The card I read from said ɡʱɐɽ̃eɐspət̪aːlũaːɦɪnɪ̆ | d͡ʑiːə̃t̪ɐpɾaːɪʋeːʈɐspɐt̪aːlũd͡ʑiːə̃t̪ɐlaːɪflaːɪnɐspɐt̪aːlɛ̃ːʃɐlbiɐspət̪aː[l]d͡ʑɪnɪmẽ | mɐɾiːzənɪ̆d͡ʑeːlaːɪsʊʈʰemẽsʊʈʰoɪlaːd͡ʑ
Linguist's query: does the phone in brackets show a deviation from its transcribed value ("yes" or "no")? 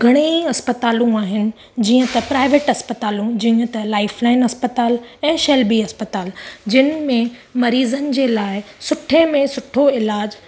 no